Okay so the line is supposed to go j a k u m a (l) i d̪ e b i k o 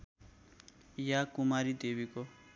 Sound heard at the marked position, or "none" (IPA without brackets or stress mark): ɾ